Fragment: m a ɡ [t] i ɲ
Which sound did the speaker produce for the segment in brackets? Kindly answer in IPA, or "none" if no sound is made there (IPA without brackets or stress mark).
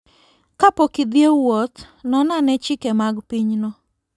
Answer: p